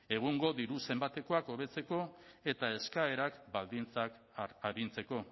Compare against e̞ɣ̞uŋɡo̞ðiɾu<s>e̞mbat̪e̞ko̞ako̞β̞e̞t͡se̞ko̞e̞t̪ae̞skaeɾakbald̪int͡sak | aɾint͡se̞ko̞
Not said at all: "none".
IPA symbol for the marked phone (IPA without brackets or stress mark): s